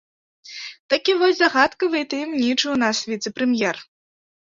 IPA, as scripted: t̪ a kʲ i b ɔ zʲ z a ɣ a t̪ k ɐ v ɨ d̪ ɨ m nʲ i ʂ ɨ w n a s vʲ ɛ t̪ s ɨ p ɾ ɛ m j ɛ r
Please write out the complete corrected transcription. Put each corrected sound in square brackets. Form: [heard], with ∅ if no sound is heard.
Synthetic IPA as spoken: t̪ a kʲ i [v] ɔ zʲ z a ɣ a t̪ k ɐ v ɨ [t̪] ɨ m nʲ i [t͡ʂ] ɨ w n a s vʲ [i] t̪ s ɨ p ɾ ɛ m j ɛ r